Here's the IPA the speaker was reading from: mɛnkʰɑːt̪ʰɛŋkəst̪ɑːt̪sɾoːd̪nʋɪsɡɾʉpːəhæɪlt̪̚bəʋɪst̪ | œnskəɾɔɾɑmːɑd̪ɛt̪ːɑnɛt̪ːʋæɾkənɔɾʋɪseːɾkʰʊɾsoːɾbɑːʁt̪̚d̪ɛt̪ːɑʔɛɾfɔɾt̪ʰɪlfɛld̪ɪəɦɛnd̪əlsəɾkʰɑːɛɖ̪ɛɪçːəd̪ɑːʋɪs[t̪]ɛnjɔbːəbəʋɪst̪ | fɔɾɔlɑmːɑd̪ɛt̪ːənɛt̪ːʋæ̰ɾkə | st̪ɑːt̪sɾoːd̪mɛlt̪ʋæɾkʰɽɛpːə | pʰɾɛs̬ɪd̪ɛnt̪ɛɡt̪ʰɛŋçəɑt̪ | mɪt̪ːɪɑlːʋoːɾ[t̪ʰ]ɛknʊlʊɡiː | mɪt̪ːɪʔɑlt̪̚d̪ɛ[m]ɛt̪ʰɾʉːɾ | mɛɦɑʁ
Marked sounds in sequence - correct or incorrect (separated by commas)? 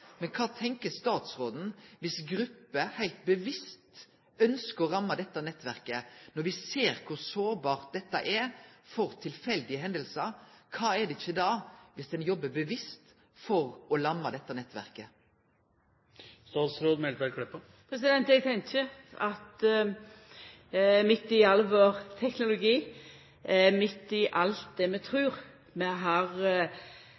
incorrect, correct, correct